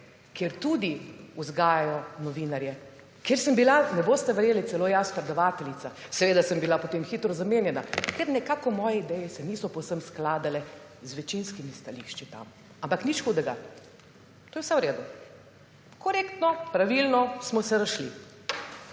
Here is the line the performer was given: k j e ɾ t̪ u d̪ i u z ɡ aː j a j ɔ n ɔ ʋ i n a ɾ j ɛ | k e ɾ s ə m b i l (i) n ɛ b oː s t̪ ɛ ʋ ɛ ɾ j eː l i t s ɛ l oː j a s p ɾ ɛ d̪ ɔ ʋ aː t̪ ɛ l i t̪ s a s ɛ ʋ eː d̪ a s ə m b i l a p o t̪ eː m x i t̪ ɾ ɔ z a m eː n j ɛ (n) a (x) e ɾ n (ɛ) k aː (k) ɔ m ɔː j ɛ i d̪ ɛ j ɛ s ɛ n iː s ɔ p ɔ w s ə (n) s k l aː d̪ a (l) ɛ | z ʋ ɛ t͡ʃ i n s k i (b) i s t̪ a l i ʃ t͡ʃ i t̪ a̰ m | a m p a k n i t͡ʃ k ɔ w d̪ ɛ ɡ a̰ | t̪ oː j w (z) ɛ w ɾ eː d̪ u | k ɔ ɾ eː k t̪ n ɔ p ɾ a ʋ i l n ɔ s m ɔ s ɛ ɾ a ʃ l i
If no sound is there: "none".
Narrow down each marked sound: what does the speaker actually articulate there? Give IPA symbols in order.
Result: a, n, k, ɛ, k, m, l, m, s

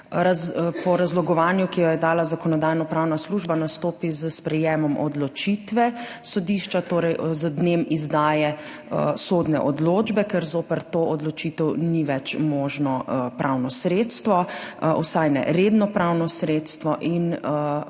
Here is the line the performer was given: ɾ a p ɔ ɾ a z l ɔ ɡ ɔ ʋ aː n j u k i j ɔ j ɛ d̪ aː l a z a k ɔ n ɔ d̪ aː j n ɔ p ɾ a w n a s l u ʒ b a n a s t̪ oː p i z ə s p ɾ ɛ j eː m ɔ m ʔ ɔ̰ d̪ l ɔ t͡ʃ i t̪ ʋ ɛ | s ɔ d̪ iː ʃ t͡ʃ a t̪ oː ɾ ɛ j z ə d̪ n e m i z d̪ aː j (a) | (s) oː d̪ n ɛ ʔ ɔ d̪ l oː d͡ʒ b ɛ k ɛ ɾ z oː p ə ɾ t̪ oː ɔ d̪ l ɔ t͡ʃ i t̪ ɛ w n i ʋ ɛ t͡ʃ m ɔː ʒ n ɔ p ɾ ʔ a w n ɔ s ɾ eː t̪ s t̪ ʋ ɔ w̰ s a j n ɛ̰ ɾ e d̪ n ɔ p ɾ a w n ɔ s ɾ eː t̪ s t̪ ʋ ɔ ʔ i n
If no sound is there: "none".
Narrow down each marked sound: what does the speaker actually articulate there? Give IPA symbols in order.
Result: ɛ, s

